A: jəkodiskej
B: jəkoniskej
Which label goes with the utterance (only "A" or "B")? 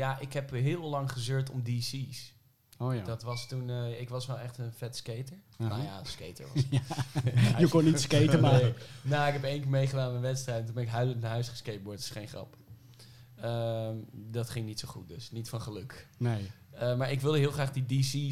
B